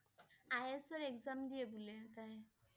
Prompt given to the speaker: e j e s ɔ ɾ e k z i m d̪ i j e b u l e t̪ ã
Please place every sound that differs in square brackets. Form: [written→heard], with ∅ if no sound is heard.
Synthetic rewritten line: [e→a] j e s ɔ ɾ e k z [i→a] m d̪ i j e b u l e t̪ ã

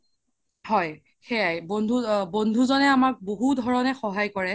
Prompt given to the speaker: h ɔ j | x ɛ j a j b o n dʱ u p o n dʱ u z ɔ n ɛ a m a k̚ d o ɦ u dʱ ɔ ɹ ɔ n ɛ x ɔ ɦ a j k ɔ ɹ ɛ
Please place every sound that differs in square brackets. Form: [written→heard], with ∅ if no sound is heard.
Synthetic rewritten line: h ɔ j | x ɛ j a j b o n dʱ u [p→b] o n dʱ u z ɔ n ɛ a m a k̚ [d→b] o ɦ u dʱ ɔ ɹ ɔ n ɛ x ɔ ɦ a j k ɔ ɹ ɛ

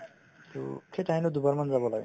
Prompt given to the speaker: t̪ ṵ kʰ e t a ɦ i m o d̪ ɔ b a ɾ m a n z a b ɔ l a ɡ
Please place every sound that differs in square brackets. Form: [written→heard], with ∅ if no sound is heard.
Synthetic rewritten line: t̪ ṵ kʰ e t a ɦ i [m→n] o d̪ [ɔ→u] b a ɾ m a n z a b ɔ l a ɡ

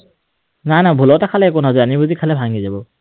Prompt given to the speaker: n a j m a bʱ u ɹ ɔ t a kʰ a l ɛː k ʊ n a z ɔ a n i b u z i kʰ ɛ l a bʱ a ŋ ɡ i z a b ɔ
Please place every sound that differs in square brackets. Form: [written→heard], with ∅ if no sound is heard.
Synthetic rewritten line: n a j [m→n] a bʱ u [ɹ→l] ɔ t a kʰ a l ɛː k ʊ n a z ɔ a n i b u z i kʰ [ɛ→a] l [a→ɛ] bʱ a ŋ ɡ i z a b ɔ

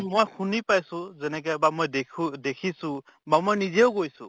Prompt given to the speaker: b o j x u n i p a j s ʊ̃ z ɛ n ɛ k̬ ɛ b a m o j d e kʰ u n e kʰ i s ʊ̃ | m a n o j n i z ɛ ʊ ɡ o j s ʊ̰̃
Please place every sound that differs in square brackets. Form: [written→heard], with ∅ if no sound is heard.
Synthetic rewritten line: [b→m] o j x u n i p a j s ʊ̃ z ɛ n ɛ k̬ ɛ b a m o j d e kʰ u [n→d] e kʰ i s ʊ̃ | [m→b] a [n→m] o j n i z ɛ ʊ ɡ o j s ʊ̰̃

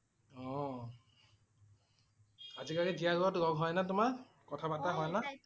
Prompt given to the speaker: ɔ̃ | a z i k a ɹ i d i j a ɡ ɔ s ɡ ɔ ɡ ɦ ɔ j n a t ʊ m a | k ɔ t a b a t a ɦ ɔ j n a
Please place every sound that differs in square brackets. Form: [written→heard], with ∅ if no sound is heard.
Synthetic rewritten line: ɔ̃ | a z i k a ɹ i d i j a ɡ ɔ [s→t] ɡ ɔ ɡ ɦ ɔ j n a t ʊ m a | k ɔ [t→tʰ] a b a t a ɦ ɔ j n a

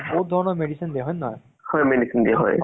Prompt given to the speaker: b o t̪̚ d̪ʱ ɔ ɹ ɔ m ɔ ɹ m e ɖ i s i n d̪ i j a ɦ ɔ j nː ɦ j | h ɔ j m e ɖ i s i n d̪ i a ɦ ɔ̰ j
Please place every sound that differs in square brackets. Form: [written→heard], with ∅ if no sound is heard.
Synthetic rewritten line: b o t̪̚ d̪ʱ ɔ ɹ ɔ [m→n] ɔ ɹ m e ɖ i s i n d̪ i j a ɦ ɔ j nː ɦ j | h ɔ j m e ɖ i s i n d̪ i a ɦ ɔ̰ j

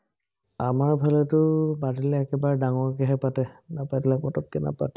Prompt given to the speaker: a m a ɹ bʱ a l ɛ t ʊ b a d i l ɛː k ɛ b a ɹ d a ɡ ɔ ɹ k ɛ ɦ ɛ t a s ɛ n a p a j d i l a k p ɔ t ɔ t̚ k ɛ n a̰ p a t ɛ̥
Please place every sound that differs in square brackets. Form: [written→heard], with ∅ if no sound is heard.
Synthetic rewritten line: a m a ɹ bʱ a l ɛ t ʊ b a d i l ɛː k ɛ b a ɹ d a [ɡ→ŋ] ɔ ɹ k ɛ ɦ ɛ [t→p] a [s→t] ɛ n a p a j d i l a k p ɔ t ɔ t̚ k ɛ n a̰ p a t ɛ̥

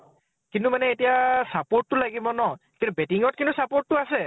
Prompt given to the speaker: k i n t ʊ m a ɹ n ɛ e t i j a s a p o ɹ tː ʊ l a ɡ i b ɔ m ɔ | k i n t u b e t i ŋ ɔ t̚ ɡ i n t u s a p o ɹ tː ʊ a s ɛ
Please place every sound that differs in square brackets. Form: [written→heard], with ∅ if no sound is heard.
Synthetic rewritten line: k i n t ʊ m a [ɹ→∅] n ɛ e t i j a s a p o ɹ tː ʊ l a ɡ i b ɔ [m→n] ɔ | k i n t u b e t i ŋ ɔ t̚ [ɡ→k] i n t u s a p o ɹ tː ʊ a s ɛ

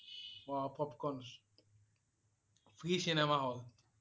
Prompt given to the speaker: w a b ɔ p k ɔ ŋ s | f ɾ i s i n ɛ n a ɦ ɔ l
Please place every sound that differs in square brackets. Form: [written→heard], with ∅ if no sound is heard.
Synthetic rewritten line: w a [b→p] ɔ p k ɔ [ŋ→n] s | f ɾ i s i n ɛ [n→m] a ɦ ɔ l

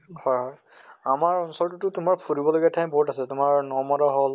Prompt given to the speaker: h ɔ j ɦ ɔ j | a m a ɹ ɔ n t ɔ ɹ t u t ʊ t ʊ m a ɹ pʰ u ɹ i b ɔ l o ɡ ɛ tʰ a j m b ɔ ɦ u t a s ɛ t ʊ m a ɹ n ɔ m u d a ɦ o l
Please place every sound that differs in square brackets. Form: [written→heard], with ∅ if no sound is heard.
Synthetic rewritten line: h ɔ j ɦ ɔ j | a m a ɹ ɔ n [t→s] ɔ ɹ t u t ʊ t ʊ m a ɹ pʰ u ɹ i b ɔ l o ɡ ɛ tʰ a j m b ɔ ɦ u t a s ɛ t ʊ m a ɹ n ɔ m [u→ɔ] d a ɦ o l

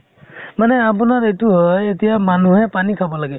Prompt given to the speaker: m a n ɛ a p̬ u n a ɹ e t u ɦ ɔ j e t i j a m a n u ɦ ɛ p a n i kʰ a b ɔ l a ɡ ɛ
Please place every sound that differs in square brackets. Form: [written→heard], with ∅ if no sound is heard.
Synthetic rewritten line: m a n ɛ a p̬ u n a ɹ e t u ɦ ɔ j e t i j a m a n u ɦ ɛ p a n i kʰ a b ɔ l a ɡ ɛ

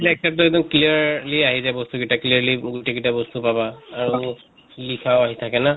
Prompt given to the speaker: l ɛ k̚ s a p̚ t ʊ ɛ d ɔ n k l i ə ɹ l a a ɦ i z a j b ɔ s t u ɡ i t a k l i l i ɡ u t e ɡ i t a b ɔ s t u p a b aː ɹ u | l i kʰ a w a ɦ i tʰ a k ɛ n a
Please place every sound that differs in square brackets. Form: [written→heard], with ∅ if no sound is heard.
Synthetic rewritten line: l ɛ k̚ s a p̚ t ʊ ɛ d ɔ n k l i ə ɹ l [a→i] a ɦ i z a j b ɔ s t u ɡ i t a k l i l i ɡ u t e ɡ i t a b ɔ s t u p a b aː ɹ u | l i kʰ a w a ɦ i tʰ a k ɛ n a

